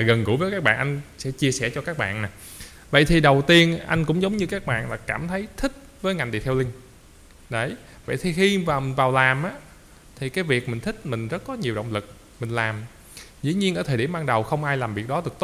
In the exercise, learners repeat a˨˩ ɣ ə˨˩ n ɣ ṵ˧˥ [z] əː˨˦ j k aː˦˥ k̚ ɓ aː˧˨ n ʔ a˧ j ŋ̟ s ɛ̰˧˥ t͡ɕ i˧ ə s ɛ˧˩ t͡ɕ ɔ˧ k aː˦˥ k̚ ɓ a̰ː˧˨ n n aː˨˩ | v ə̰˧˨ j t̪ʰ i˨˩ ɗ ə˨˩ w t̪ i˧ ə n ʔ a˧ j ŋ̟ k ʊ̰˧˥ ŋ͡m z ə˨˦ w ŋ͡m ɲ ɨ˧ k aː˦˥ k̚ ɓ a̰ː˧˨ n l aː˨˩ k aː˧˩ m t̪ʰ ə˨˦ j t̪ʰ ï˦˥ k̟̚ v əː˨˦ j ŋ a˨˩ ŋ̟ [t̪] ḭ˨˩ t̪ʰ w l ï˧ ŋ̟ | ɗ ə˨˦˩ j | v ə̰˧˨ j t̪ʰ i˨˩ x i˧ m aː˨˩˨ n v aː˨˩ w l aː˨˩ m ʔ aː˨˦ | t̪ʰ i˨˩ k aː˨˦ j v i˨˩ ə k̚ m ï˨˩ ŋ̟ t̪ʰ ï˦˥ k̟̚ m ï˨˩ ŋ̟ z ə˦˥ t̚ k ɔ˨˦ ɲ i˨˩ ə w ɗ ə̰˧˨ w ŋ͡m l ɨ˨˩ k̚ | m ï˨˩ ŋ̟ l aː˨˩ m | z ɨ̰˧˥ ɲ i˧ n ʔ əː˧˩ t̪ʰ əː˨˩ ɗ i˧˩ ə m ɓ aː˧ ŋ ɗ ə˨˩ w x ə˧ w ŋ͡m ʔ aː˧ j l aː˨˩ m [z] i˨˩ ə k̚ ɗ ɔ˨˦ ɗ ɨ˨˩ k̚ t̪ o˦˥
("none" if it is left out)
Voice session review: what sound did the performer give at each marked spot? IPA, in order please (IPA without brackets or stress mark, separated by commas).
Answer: v, t̪, v